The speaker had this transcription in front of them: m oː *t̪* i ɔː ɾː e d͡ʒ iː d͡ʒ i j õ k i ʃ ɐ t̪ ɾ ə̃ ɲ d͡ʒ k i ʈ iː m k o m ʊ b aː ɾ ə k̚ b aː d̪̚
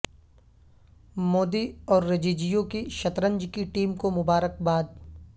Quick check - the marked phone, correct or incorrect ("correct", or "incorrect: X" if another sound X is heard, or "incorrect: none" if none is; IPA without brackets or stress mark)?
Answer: incorrect: d̪